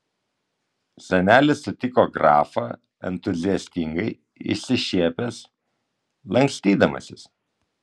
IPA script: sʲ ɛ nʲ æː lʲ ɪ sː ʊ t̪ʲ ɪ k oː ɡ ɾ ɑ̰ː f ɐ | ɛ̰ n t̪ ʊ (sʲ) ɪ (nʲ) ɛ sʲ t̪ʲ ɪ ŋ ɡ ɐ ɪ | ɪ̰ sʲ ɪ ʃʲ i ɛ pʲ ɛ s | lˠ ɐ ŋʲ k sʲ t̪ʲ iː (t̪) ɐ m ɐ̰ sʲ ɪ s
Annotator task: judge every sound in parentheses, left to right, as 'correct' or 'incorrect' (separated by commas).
incorrect, incorrect, incorrect